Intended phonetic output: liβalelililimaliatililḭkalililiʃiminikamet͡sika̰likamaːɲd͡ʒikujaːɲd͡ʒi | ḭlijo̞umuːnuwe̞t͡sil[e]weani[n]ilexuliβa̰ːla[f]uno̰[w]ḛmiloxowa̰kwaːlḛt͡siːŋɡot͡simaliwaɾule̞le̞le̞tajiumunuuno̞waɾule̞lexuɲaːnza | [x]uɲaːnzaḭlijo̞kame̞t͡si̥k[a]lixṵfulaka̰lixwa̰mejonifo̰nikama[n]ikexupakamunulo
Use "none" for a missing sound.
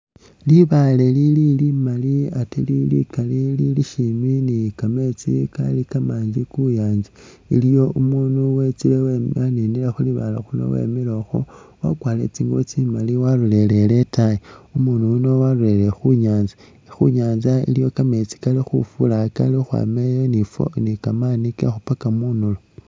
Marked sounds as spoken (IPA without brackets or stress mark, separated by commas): e, n, x, w, x, a, n